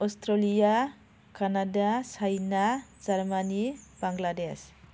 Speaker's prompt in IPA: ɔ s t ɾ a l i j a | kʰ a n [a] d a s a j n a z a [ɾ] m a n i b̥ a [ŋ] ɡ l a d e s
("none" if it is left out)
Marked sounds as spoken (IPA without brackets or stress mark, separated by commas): a, ɾ, ŋ